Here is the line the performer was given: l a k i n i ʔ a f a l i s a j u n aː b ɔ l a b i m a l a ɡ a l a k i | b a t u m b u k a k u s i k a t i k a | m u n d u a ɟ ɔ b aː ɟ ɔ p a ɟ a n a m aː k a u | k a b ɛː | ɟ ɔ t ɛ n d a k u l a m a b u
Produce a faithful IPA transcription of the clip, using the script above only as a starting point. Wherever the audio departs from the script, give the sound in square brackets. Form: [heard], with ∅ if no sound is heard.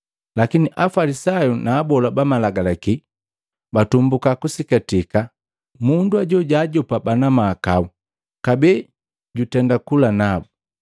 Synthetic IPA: l a k i n i ʔ a f a l i s a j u n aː b ɔ l a b [a] m a l a ɡ a l a k i | b a t u m b u k a k u s i k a t i k a | m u n d u a ɟ ɔ [ɟ] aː ɟ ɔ p a [b] a n a m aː k a u | k a b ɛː | ɟ [u] t ɛ n d a k u l a [n] a b u

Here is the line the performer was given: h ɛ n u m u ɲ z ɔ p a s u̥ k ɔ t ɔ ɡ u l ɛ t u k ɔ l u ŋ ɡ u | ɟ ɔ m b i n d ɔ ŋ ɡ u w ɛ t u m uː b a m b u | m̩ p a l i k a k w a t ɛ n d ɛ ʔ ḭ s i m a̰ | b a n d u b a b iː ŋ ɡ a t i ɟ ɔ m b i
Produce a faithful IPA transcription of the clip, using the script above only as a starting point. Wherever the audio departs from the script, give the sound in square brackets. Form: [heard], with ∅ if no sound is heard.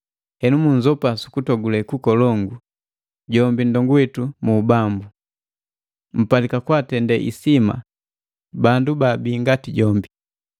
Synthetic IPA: h ɛ n u m u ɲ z ɔ p a s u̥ k [u] t ɔ ɡ u l ɛ [k] u k ɔ l [ɔ] ŋ ɡ u | ɟ ɔ m b i n d ɔ ŋ ɡ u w ɛ t u m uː b a m b u | m̩ p a l i k a k w a t ɛ n d ɛ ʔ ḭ s i m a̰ | b a n d u b a b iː ŋ ɡ a t i ɟ ɔ m b i

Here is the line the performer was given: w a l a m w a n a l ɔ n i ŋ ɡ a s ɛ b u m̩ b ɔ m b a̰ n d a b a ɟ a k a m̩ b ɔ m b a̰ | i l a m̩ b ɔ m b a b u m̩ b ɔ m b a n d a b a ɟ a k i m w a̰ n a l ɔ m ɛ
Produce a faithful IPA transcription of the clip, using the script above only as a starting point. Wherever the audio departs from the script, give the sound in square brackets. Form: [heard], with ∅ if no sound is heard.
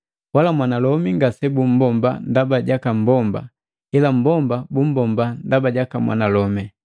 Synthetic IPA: w a l a m w a n a l ɔ [m] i ŋ ɡ a s ɛ b u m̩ b ɔ m b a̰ n d a b a ɟ a k a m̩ b ɔ m b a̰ | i l a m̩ b ɔ m b a b u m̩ b ɔ m b a n d a b a ɟ a k [a] m w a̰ n a l ɔ m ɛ

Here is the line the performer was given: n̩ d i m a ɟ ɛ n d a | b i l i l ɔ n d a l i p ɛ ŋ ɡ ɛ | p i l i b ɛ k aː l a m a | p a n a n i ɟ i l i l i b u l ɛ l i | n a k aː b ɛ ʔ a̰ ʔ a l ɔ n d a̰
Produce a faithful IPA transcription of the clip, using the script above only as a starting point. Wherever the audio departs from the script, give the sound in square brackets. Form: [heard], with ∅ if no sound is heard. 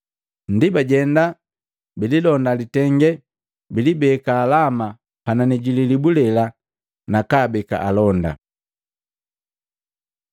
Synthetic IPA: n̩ d i [b] a ɟ ɛ n d a | b i l i l ɔ n d a l i [t] ɛ ŋ ɡ ɛ | [b] i l i b ɛ k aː l a m a | p a n a n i ɟ i l i l i b u l ɛ l [a] | n a k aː b ɛ [k] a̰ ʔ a l ɔ n d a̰

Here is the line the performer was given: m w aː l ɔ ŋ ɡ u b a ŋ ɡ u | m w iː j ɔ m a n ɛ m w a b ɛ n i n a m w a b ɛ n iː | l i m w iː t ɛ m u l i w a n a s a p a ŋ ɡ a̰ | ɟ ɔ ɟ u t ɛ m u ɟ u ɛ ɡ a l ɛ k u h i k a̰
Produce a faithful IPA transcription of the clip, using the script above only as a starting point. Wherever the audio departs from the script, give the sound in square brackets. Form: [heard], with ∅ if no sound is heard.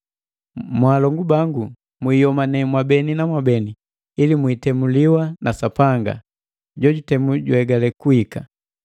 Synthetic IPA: m w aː l ɔ ŋ ɡ u b a ŋ ɡ u | m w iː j ɔ m a n ɛ m w a b ɛ n i n a m w a b ɛ n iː | l i m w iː t ɛ m u l i w a n a s a p a ŋ ɡ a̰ | ɟ ɔ ɟ u t ɛ m u ɟ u ɛ ɡ a l ɛ k u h i k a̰

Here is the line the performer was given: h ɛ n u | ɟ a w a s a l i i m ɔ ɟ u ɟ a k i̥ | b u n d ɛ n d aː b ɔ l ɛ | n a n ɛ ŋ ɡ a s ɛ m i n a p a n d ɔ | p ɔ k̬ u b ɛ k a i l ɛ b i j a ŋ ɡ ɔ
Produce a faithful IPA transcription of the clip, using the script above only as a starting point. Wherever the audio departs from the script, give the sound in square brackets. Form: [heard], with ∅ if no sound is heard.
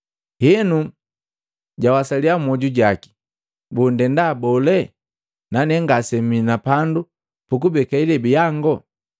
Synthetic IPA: h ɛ n u | ɟ a w a s a l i [a] m ɔ ɟ u ɟ a k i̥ | b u n d ɛ n d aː b ɔ l ɛ | n a n ɛ ŋ ɡ a s ɛ m i n a p a n d [u] | p [u] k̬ u b ɛ k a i l ɛ b i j a ŋ ɡ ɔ

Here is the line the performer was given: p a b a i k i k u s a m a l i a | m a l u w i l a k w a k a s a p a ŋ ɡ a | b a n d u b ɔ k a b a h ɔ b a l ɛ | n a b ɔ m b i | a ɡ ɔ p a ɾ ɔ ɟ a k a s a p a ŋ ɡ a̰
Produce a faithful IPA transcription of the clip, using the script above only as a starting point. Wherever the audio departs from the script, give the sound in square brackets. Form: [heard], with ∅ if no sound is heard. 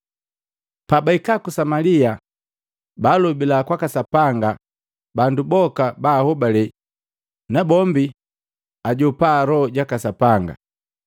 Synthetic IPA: p a b a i k [a] k u s a m a l i a | [b] a l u [b] i l a k w a k a s a p a ŋ ɡ a | b a n d u b ɔ k a b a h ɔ b a l ɛ | n a b ɔ m b i | a [ɟ] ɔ p a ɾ ɔ ɟ a k a s a p a ŋ ɡ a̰

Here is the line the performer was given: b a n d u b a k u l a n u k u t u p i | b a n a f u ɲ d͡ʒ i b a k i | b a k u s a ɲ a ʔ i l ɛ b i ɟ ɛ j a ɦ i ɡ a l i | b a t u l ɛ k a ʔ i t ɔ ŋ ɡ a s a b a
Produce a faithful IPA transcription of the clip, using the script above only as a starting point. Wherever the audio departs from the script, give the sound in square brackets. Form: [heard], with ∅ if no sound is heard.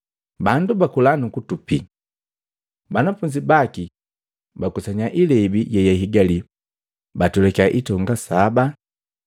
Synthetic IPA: b a n d u b a k u l a n u k u t u p i | b a n a f u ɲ d͡ʒ i b a k i | b a k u s a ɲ a ʔ i l ɛ b i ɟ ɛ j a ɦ i ɡ a l i | b a t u l ɛ k a ʔ i t ɔ ŋ ɡ a s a b a

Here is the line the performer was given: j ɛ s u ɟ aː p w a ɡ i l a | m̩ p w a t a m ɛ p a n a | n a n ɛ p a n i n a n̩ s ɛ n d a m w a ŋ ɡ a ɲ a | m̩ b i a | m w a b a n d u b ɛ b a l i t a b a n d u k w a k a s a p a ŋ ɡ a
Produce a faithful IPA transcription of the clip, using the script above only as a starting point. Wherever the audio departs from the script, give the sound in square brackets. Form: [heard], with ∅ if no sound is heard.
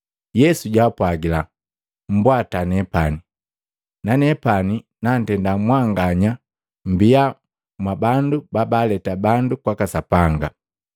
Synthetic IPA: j ɛ s u ɟ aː p w a ɡ i l a | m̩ [b] w a t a [n] ɛ p a n [i] | n a n ɛ p a n i n a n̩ [t] ɛ n d a m w a ŋ ɡ a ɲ a | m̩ b i a | m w a b a n d u b [a] b a l [ɛ] t a b a n d u k w a k a s a p a ŋ ɡ a

